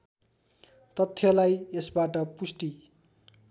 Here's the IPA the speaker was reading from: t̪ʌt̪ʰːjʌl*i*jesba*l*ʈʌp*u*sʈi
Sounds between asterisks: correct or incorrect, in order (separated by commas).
incorrect, incorrect, correct